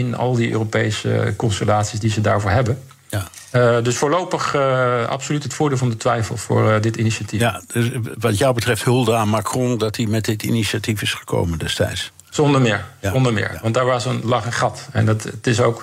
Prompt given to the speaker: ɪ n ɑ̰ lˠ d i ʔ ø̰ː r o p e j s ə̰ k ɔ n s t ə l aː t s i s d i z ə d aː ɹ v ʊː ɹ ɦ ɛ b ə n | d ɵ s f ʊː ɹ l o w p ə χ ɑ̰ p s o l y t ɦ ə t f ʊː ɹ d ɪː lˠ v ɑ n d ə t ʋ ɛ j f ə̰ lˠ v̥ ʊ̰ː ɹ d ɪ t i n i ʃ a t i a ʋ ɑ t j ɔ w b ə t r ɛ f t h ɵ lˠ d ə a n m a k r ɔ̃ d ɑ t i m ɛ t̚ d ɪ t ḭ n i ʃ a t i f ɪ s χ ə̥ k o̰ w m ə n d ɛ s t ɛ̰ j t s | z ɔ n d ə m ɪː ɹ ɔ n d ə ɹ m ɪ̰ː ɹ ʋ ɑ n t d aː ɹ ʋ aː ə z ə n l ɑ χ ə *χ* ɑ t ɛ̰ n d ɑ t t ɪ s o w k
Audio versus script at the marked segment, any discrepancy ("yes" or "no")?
no